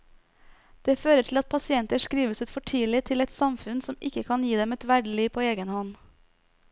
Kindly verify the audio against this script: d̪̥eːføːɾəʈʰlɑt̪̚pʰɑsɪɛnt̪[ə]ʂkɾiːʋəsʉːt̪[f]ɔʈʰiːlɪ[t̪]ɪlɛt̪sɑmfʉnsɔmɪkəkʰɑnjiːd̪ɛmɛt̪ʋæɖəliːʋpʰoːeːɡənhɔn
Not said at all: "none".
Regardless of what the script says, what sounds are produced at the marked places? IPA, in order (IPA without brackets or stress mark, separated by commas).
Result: ə, f, t̪ʰ